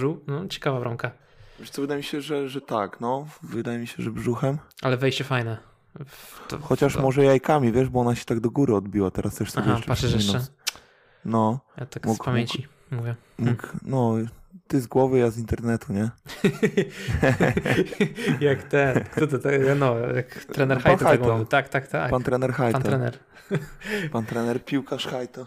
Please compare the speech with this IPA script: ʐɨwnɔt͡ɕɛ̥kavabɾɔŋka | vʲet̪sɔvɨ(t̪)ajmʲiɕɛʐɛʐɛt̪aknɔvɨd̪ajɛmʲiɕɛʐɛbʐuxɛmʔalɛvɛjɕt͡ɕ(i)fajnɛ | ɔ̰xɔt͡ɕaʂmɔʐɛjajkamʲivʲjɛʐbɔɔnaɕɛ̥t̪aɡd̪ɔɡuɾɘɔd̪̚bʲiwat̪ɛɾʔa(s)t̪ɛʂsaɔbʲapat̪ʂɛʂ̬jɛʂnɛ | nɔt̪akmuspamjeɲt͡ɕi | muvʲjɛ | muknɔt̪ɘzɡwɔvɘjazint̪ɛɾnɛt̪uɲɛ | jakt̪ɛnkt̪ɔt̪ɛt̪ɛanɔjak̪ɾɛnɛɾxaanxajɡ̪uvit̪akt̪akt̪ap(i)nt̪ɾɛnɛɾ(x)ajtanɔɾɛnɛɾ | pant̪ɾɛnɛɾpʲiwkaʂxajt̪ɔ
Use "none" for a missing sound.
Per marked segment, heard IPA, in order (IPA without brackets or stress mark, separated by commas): d̪, ɛ, s, a, x